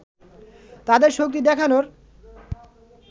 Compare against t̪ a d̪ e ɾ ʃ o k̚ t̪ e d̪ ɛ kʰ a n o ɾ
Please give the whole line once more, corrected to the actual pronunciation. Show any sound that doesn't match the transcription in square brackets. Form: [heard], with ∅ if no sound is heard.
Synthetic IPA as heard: t̪ a d̪ e ɾ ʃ o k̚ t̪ [i] d̪ ɛ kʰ a n o ɾ